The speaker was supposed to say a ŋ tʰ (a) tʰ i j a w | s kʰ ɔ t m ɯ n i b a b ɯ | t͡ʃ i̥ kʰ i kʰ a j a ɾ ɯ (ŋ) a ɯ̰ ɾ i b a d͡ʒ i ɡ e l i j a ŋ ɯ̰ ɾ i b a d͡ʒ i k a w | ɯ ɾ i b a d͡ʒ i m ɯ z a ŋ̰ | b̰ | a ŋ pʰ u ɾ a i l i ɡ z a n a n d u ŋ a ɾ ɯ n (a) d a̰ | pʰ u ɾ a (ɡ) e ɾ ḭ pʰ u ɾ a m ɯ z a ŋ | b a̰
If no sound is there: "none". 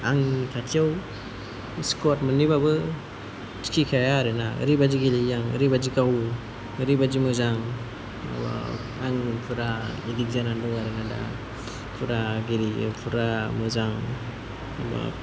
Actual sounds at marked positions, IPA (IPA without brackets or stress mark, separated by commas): a, n, a, ɡ